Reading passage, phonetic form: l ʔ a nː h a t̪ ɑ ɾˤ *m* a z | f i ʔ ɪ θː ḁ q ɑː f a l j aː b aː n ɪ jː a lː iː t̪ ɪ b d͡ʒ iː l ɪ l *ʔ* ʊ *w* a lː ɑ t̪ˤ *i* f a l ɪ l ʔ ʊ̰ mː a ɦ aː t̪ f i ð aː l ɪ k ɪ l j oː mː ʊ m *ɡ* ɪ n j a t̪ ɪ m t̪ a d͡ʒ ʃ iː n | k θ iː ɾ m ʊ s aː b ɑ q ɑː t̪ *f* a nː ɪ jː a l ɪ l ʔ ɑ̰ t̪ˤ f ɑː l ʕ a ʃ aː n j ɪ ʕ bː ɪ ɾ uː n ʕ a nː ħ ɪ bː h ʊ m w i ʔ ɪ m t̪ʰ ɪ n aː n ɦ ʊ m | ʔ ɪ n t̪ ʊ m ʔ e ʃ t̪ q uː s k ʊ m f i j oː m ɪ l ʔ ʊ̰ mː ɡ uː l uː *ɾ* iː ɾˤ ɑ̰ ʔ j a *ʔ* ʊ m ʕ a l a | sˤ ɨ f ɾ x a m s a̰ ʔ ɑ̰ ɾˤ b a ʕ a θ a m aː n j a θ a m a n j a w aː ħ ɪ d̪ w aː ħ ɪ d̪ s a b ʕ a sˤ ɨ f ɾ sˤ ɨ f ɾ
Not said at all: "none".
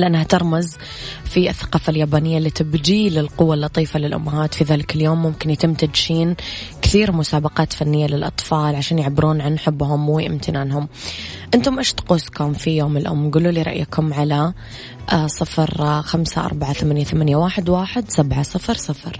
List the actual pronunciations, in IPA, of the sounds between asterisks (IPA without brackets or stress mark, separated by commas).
m, q, wː, iː, k, f, l, k